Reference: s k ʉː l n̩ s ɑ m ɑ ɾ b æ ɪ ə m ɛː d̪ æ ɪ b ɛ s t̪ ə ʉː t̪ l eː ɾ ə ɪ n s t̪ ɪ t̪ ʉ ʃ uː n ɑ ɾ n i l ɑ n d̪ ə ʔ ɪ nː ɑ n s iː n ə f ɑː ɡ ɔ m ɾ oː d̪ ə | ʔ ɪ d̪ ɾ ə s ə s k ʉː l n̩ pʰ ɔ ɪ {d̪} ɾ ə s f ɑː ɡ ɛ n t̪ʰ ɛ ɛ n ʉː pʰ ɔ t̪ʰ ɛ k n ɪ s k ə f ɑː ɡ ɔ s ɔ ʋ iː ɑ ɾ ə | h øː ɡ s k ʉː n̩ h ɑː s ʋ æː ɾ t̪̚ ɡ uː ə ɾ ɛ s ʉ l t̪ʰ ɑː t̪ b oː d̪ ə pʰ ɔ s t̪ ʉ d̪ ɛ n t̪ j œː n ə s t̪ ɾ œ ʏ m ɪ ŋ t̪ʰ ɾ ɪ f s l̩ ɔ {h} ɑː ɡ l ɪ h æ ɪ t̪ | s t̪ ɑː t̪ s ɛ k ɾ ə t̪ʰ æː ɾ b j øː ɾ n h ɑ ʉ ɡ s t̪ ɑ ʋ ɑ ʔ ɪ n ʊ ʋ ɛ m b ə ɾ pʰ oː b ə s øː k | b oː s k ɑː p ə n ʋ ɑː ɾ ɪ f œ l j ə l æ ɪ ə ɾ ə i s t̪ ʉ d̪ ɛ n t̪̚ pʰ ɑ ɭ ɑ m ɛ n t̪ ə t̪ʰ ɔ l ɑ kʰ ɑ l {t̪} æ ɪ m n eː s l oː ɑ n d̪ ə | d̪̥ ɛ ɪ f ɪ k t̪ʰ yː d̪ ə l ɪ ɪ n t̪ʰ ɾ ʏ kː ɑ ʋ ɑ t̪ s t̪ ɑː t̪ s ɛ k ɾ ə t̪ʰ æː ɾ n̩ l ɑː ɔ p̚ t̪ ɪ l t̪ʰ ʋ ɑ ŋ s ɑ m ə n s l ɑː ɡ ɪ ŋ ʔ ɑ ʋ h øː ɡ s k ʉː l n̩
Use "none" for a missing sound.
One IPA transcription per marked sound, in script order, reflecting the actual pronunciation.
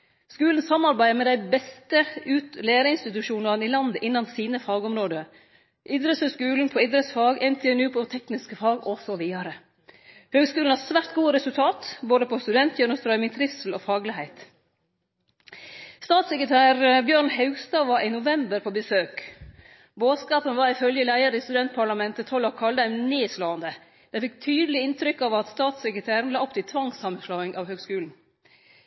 d̪, f, d̪

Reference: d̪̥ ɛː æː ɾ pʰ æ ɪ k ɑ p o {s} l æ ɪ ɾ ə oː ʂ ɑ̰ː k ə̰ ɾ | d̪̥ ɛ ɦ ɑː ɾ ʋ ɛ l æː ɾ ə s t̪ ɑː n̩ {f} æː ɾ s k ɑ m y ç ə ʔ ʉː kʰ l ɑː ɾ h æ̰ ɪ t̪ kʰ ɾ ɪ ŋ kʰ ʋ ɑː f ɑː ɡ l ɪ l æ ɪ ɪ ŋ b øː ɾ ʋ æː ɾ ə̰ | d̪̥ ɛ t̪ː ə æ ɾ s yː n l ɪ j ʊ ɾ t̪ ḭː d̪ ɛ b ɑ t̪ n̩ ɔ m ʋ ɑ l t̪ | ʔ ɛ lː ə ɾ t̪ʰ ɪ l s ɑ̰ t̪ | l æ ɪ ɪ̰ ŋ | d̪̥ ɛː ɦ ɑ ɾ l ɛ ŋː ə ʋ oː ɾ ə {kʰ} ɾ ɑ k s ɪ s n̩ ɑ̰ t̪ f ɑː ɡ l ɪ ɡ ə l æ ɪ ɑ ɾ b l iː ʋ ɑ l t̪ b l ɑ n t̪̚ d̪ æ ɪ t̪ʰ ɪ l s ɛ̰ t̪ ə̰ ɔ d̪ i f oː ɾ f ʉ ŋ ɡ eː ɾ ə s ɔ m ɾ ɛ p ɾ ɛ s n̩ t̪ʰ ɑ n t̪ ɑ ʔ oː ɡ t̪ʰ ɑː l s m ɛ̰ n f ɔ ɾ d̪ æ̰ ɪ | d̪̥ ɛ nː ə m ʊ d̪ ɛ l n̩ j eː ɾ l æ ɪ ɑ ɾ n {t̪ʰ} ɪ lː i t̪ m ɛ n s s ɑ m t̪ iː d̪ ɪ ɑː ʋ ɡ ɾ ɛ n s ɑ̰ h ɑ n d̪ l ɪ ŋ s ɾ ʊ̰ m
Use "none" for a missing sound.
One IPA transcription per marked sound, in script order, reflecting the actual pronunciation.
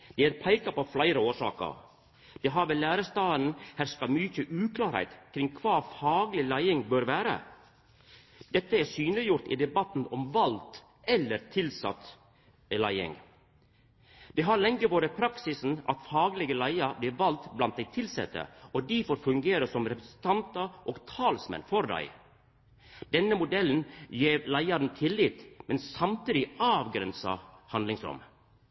f, h, pʰ, t̪ʰ

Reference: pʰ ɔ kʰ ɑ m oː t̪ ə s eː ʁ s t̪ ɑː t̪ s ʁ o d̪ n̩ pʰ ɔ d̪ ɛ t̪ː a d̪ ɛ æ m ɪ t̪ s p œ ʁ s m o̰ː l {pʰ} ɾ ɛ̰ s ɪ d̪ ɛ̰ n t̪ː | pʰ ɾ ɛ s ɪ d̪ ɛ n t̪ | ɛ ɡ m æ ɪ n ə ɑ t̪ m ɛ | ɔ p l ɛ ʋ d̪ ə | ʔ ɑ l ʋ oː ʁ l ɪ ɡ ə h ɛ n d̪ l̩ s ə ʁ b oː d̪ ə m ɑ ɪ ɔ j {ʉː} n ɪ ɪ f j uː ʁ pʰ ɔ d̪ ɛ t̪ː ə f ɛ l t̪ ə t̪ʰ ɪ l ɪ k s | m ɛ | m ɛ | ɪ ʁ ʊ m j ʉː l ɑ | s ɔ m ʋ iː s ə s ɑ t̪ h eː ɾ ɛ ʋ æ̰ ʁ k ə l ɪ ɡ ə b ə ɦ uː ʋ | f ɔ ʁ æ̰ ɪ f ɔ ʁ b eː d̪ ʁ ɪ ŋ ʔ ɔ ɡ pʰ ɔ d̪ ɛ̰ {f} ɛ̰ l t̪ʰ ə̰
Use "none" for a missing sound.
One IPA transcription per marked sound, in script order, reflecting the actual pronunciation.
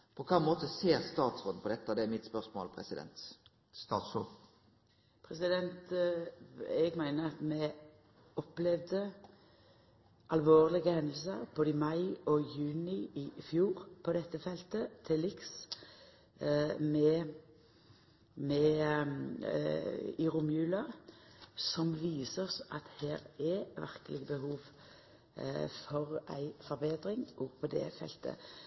pʰ, ʉː, f

